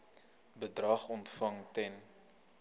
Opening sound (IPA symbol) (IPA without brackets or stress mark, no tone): b